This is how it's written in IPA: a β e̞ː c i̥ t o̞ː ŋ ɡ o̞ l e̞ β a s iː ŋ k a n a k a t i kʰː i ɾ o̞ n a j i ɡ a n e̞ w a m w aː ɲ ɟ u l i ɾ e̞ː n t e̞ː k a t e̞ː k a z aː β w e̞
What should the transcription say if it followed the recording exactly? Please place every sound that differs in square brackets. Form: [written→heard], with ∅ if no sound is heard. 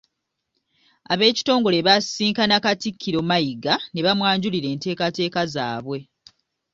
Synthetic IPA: a β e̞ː c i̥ t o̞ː ŋ ɡ o̞ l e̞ β a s iː ŋ k a n a k a t i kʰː i ɾ o̞ [n→m] a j i ɡ a n e̞ [w→β] a m w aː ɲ ɟ u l i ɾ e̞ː n t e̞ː k a t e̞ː k a z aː β w e̞